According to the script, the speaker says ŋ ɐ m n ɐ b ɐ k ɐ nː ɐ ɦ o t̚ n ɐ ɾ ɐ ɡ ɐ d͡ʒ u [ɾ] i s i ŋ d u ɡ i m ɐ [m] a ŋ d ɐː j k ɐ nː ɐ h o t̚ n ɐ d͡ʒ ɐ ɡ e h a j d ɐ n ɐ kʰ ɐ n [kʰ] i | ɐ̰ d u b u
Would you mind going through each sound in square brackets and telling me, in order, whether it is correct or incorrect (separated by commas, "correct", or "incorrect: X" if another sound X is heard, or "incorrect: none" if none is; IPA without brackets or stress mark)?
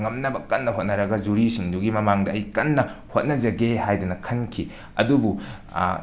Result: correct, correct, correct